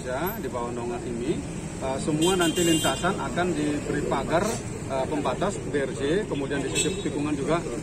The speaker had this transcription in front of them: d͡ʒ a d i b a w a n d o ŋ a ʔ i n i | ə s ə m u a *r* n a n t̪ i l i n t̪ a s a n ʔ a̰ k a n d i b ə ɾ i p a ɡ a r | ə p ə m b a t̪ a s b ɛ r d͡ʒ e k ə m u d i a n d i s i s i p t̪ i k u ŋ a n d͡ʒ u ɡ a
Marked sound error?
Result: yes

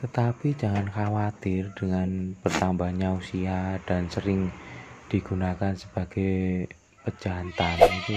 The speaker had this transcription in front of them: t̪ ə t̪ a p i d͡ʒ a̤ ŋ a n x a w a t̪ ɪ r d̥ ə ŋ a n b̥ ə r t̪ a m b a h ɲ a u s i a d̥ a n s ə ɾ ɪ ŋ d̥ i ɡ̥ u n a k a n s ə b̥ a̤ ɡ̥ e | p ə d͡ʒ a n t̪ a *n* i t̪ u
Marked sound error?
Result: no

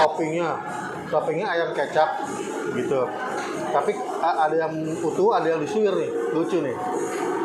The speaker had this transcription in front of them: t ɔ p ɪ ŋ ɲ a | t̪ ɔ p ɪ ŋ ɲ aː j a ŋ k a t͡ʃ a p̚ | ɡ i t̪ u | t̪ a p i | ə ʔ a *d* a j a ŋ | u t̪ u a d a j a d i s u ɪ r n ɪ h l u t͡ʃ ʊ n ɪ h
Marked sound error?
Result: no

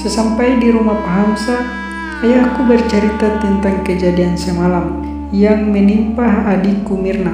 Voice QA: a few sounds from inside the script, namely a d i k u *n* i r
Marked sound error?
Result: yes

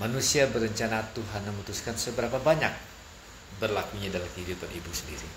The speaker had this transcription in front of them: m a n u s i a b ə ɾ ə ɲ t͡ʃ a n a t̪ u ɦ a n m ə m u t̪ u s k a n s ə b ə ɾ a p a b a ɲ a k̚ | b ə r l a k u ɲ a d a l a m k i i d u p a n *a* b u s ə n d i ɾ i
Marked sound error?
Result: yes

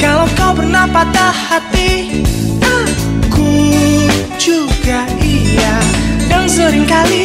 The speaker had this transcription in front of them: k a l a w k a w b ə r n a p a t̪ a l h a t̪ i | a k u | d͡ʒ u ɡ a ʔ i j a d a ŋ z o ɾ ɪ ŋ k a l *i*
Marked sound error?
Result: no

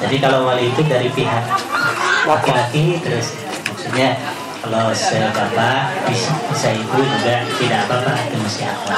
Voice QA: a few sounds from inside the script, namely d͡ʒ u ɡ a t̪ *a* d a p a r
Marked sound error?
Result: yes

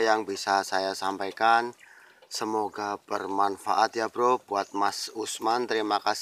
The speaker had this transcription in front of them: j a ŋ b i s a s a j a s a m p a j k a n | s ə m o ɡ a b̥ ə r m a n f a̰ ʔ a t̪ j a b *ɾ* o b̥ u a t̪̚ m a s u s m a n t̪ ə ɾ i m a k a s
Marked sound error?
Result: no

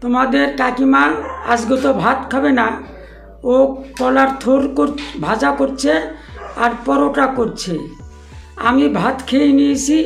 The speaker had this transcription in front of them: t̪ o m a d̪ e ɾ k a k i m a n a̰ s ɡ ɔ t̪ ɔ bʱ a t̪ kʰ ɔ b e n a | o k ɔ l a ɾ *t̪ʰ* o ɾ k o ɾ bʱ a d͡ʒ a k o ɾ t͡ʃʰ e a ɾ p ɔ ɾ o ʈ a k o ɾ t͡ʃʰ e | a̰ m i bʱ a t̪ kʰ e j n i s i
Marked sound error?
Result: no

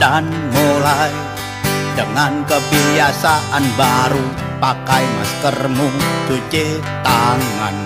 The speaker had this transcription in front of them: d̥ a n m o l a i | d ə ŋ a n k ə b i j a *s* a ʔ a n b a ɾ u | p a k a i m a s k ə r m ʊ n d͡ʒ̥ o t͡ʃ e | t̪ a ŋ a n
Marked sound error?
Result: no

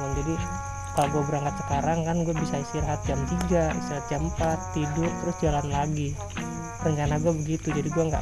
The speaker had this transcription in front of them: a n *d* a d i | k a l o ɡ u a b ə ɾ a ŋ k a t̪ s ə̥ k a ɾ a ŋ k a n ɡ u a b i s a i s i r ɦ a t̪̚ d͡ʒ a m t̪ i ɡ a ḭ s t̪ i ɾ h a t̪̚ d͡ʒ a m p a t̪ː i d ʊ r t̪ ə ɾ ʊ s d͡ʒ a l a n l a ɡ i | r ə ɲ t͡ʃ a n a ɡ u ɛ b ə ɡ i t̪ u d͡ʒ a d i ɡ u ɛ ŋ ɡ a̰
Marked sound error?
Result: yes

